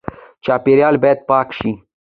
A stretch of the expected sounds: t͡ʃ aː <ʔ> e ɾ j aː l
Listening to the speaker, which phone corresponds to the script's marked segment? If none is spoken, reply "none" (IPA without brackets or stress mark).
p